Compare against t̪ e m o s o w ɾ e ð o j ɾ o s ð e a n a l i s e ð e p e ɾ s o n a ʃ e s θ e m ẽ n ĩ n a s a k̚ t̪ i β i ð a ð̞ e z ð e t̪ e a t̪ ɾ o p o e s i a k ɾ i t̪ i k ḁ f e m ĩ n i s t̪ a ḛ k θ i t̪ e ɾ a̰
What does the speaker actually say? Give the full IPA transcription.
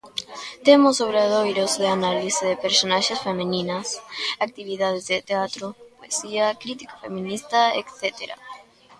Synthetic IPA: t̪ e m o s o β ɾ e ð o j ɾ o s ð e a n a l i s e ð e p e ɾ s o n a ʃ e s f e m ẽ n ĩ n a s a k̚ t̪ i β i ð a ð̞ e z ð e t̪ e a t̪ ɾ o p o e s i a k ɾ i t̪ i k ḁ f e m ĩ n i s t̪ a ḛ k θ e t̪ e ɾ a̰